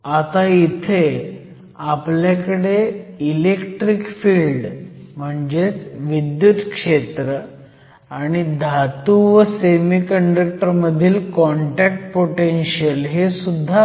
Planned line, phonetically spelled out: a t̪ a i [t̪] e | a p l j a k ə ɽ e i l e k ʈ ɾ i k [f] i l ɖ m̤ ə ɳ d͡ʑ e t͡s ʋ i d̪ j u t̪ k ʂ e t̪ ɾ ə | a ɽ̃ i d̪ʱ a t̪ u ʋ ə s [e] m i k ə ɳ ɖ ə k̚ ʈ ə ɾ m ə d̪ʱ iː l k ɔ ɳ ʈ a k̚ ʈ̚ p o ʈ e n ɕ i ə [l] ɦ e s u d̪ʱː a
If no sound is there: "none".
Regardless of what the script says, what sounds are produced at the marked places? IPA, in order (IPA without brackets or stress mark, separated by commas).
t̪ʰ, f, e, l